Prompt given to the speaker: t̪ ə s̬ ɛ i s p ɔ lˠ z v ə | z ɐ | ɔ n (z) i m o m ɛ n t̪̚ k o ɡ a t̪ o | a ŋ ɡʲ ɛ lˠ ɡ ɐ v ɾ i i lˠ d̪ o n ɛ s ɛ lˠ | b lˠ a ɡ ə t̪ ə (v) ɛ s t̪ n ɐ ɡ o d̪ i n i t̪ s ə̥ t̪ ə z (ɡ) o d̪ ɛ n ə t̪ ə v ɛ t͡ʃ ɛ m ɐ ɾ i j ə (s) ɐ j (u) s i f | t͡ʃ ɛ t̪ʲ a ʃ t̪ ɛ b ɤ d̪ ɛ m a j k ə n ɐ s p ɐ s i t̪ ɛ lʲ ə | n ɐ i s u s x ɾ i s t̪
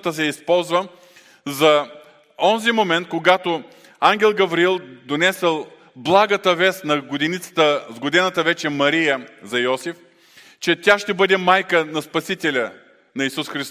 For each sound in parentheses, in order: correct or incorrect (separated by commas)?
correct, correct, correct, incorrect, incorrect